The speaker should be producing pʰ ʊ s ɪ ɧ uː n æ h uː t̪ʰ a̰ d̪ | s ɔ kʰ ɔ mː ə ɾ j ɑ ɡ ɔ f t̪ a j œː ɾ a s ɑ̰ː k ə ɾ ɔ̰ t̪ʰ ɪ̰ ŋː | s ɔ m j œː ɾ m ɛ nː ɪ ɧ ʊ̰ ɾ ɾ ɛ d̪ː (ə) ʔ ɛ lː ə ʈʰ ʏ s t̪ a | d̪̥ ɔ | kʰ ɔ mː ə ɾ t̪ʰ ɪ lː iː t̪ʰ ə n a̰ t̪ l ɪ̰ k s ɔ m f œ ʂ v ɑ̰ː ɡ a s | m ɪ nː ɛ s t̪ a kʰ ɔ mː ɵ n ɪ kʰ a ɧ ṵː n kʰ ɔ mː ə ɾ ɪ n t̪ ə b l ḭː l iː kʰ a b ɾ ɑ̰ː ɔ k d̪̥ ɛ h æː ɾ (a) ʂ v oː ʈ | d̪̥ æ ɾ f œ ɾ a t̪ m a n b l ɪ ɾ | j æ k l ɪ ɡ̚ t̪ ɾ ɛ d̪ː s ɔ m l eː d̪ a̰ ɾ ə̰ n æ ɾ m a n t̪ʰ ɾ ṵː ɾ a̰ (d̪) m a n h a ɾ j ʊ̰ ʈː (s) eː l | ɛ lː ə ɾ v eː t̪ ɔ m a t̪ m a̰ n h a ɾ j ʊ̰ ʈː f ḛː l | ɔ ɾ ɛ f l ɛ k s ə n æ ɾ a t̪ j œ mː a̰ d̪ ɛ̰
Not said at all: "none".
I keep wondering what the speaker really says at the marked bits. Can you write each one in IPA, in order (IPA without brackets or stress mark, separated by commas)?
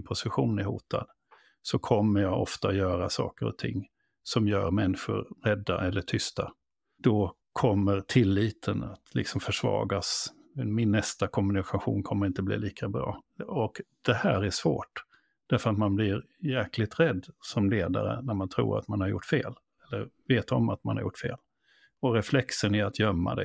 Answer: a, æ, t̪, f